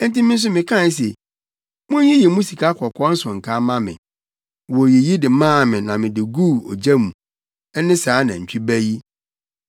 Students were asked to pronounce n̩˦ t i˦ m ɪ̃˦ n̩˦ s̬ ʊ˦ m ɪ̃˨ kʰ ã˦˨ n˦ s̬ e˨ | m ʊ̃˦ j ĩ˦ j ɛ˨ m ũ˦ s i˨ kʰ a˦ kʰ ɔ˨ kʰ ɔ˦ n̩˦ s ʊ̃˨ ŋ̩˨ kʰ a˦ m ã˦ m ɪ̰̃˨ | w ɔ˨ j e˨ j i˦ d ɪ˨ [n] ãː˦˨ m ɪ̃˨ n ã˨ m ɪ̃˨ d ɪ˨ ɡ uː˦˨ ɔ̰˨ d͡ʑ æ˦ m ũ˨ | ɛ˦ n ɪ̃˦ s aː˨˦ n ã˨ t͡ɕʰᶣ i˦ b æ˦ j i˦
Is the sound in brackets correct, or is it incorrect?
incorrect: m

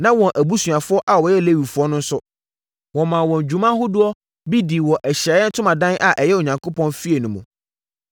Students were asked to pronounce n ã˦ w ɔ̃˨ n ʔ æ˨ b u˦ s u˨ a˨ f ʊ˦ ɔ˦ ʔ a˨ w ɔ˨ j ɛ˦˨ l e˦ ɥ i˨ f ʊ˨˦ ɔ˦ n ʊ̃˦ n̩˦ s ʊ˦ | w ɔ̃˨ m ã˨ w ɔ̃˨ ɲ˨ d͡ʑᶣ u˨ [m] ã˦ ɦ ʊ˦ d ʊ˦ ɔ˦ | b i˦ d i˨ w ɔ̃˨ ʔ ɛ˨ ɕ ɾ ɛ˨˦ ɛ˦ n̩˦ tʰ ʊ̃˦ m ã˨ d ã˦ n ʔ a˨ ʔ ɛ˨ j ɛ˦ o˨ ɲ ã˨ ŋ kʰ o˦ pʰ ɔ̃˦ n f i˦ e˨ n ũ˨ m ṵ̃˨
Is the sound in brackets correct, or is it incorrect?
correct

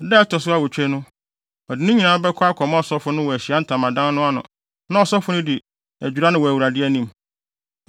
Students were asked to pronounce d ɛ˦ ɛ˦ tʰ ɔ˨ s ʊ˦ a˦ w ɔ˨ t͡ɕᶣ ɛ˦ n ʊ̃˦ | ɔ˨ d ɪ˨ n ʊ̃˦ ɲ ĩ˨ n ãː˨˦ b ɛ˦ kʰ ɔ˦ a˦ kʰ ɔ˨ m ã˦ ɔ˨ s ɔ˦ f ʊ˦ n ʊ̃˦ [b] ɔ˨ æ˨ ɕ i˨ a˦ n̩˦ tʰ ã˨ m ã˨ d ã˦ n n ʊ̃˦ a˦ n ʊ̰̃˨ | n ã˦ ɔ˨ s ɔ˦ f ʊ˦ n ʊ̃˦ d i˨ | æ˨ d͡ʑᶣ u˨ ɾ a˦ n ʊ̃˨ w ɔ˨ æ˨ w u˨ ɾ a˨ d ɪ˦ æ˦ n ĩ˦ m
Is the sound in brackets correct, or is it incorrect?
incorrect: w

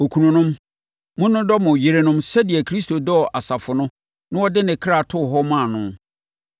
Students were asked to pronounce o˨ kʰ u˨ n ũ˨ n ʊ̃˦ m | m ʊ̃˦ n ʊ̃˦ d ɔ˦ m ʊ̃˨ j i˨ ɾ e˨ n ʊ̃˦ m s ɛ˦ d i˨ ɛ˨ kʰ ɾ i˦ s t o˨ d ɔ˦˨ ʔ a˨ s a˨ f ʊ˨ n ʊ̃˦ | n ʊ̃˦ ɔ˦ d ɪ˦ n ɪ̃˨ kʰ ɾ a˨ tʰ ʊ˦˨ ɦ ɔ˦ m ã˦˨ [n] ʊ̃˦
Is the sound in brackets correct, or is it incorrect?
correct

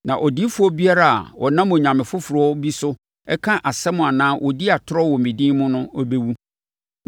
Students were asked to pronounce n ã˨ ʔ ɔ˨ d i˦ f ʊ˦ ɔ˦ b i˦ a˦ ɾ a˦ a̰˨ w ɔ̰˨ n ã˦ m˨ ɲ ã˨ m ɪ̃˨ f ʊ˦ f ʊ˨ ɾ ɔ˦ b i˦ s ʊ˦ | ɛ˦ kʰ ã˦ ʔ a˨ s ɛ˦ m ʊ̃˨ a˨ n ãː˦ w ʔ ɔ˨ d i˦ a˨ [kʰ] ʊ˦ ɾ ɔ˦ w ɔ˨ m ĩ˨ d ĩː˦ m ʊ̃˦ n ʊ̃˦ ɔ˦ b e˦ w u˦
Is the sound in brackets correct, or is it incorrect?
incorrect: tʰ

